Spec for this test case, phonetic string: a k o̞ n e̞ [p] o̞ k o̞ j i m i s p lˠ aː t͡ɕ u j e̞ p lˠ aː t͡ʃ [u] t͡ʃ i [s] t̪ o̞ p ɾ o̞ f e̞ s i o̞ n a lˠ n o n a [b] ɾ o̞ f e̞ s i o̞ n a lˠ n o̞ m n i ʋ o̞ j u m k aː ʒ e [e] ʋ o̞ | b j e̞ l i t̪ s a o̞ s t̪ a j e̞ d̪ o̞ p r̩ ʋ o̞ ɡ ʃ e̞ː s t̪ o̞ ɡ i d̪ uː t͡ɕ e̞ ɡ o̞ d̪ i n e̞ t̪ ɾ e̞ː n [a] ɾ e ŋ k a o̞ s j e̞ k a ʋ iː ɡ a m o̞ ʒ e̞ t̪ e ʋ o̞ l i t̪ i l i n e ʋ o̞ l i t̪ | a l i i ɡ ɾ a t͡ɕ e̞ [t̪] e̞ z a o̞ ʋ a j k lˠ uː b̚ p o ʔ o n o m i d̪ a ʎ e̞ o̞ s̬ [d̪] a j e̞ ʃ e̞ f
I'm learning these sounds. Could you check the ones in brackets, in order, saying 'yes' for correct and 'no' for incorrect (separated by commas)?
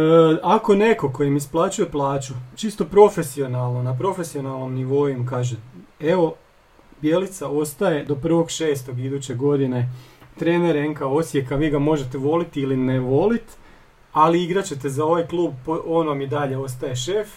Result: no, yes, yes, no, yes, no, yes, no